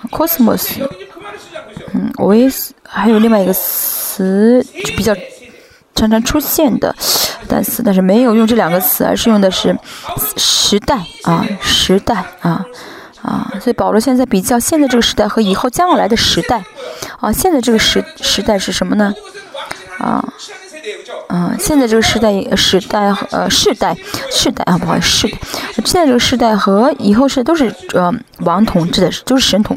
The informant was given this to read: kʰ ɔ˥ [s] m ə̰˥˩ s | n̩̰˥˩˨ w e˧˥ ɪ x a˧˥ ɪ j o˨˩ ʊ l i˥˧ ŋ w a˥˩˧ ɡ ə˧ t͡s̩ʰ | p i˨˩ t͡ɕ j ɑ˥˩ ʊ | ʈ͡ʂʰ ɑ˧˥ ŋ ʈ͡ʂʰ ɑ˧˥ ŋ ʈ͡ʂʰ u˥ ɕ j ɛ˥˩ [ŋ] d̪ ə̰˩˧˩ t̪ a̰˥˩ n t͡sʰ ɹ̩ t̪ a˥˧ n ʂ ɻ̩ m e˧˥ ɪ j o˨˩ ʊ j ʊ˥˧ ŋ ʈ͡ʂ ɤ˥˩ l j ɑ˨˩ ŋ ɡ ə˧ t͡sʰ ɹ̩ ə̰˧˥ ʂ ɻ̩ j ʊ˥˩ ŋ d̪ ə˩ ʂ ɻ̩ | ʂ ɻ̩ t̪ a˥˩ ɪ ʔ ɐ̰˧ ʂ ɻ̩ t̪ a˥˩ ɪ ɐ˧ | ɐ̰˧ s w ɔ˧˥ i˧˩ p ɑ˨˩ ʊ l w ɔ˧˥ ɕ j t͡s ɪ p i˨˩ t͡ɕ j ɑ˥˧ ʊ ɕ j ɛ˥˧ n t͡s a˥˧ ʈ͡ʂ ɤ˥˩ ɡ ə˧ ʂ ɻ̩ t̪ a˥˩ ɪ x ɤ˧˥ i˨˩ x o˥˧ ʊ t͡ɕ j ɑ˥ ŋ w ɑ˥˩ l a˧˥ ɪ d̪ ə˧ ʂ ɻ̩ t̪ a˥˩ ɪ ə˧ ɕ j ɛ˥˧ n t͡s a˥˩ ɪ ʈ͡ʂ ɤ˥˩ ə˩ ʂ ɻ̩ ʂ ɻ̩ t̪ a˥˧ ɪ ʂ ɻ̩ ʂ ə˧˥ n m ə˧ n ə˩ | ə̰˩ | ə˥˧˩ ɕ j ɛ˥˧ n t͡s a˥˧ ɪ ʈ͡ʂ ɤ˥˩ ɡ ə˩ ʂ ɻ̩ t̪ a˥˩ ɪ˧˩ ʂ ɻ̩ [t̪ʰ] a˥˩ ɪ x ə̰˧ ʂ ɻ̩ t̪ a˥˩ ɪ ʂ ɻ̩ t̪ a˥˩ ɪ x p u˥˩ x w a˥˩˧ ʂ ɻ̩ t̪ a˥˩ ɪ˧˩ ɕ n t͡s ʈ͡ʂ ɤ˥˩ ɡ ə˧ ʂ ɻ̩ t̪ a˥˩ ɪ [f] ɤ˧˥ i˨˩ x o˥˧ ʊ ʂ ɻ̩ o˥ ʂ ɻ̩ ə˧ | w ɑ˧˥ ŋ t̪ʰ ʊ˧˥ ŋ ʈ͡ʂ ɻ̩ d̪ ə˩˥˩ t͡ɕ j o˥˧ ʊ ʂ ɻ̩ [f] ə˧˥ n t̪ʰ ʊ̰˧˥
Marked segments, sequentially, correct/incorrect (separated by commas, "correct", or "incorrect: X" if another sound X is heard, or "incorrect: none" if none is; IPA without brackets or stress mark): correct, incorrect: n, incorrect: t̪, incorrect: x, incorrect: ʂ